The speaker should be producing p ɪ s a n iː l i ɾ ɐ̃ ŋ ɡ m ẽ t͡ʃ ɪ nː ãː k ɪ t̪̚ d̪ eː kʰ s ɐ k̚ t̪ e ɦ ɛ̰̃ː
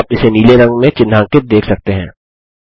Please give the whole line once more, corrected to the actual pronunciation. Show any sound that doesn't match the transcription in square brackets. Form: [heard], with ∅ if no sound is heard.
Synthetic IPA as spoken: p ɪ s [e] n iː l [e] ɾ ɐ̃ ŋ ɡ m ẽ t͡ʃ ɪ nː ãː k ɪ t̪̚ d̪ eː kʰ s ɐ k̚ t̪ e ɦ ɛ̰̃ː

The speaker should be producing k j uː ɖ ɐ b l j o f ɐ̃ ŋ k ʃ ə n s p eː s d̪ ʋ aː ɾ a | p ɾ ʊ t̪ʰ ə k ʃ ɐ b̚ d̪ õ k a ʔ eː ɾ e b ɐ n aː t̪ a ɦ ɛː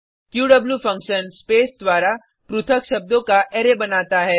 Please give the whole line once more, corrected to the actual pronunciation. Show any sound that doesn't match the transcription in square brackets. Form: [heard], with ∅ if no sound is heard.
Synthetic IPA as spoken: k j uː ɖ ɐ b l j [u] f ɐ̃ ŋ k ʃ ə n s p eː s d̪ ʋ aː ɾ a | p ɾ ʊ t̪ʰ ə k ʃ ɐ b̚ d̪ õ k a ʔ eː ɾ e b ɐ n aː t̪ a ɦ ɛː

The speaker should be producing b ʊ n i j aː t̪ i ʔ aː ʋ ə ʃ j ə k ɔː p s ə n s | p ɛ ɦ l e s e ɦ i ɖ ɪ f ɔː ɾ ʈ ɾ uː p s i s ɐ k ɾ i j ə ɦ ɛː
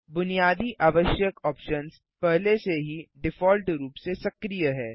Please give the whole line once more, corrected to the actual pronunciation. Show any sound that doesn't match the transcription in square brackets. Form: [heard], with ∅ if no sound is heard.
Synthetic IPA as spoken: b ʊ n i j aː [d̪] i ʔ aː ʋ ə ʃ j ə k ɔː p [ʃ] ə n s | p ɛ ɦ l e s e ɦ i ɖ ɪ f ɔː [l] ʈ ɾ uː p s [e] s ɐ k ɾ i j ə ɦ ɛː

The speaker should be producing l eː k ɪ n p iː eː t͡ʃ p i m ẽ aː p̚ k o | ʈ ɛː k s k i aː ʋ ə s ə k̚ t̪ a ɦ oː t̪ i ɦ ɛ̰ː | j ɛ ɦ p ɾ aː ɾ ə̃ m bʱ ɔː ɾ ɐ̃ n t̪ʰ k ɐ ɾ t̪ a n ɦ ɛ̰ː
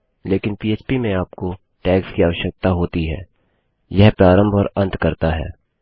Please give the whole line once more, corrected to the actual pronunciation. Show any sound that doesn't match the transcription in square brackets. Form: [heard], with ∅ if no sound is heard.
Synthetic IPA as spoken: l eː k ɪ n p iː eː t͡ʃ p i m ẽ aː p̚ k o | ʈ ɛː k s k i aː ʋ ə [ʃ] ə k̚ t̪ a ɦ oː t̪ i ɦ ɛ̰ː | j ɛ ɦ p ɾ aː ɾ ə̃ m bʱ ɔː ɾ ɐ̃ n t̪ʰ k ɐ ɾ t̪ a [∅] ɦ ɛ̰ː

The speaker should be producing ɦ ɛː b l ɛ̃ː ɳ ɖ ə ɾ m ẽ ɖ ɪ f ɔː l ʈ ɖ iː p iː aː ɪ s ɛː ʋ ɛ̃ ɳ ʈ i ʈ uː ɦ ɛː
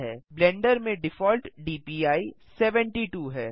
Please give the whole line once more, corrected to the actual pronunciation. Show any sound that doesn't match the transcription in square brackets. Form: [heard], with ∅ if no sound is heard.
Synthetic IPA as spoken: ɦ ɛː b l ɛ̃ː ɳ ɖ ə ɾ m ẽ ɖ ɪ f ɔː l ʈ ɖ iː p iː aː [i] s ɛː ʋ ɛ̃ ɳ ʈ i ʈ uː ɦ ɛː

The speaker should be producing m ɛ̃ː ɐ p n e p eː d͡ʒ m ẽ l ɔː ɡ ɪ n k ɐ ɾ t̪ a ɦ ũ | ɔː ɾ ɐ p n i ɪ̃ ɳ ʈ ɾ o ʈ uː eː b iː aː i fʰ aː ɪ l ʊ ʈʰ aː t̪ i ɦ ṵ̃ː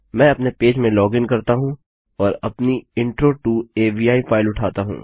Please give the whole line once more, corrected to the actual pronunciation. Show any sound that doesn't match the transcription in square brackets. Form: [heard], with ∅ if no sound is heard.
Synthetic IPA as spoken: m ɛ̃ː ɐ p n e p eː d͡ʒ m ẽ l ɔː ɡ ɪ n k ɐ ɾ t̪ a ɦ ũ | ɔː ɾ ɐ p n i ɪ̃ ɳ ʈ ɾ o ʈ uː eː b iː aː i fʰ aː ɪ l ʊ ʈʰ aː t̪ [a] ɦ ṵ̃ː

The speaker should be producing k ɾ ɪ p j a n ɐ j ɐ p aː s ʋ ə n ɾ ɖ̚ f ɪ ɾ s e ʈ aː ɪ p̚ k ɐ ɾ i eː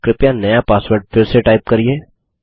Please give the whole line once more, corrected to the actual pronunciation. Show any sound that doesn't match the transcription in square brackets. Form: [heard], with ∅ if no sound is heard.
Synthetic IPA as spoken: k ɾ ɪ p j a n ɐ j [a] p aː s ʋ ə [∅] ɾ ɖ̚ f ɪ ɾ s e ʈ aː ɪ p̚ k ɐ ɾ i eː

